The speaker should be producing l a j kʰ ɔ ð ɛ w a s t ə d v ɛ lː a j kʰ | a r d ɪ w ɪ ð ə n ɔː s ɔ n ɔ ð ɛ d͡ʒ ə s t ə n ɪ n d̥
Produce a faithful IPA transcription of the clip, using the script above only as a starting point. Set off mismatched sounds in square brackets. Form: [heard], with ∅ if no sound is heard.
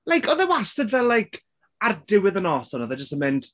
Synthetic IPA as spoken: l a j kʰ ɔ ð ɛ w a s t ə d v ɛ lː a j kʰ | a r d ɪ w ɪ ð ə n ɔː s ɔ n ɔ ð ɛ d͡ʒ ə s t ə [m] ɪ n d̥